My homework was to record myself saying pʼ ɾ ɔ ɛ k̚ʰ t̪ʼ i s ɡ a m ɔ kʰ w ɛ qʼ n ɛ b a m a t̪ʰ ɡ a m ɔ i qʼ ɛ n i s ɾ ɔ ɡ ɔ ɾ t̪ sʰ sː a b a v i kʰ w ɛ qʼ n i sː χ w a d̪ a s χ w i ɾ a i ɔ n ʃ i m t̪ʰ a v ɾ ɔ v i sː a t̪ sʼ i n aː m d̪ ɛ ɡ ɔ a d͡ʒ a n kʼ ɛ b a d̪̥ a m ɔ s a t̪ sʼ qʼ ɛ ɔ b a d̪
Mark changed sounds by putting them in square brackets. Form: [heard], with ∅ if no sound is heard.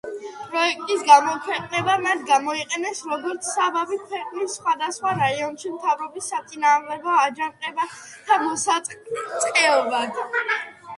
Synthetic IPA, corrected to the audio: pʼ ɾ ɔ ɛ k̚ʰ t̪ʼ i s ɡ a m ɔ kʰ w ɛ qʼ n ɛ b a m a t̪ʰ ɡ a m ɔ i qʼ ɛ n [ɛ] s ɾ ɔ ɡ ɔ ɾ t̪ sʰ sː a b a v i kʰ w ɛ qʼ n i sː χ w a d̪ a s χ w [a] ɾ a i ɔ n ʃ i m t̪ʰ a v ɾ ɔ [b] i sː a t̪ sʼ i n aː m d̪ ɛ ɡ ɔ a d͡ʒ a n [qʼ] ɛ b a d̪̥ a m ɔ s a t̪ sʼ qʼ ɛ ɔ b a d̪